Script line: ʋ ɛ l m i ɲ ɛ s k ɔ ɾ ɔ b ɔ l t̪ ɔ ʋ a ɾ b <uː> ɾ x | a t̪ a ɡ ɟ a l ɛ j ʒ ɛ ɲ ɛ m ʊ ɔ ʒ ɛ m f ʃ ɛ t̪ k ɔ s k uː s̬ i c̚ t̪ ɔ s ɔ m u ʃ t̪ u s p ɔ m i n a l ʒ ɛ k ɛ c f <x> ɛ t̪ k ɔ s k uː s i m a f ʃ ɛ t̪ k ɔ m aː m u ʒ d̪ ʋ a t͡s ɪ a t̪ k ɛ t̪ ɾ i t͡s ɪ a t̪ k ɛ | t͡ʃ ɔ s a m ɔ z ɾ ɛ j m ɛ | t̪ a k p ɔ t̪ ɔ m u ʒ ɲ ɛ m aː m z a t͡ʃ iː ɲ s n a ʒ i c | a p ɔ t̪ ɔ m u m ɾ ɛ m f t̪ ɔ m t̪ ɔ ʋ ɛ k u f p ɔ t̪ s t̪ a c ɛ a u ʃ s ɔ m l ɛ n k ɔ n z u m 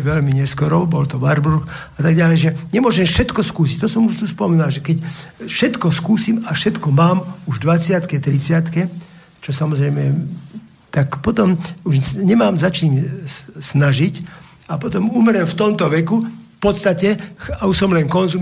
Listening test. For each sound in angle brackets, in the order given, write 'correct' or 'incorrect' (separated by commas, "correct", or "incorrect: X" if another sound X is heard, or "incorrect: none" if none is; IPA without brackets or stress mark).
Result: incorrect: u, incorrect: ʃ